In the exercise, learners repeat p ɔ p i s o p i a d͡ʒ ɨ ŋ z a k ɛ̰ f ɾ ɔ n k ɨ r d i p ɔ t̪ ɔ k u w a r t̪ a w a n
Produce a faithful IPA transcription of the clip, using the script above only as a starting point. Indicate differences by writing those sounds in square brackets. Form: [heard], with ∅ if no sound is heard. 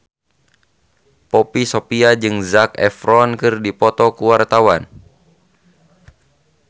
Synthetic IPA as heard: p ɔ p i s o p i a d͡ʒ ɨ ŋ z a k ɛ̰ f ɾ ɔ n k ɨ r d i p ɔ t̪ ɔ k u w a r t̪ a w a n